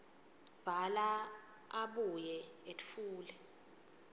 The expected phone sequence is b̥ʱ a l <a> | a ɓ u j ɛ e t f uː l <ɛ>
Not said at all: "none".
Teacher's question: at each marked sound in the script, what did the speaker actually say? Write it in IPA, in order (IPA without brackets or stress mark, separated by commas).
a, ɛ